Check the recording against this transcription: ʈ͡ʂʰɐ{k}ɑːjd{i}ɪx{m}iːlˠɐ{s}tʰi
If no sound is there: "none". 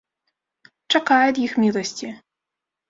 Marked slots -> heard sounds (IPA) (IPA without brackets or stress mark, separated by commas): q, j, m, s